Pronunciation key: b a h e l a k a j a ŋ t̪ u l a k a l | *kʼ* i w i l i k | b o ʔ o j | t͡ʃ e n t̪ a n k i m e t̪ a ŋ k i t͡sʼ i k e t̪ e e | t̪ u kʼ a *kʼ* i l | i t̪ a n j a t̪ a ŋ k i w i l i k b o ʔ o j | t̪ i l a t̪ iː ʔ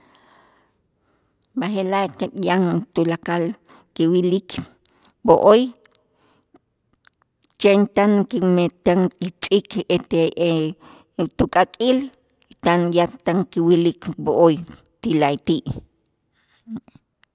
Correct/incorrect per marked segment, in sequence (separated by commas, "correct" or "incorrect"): incorrect, correct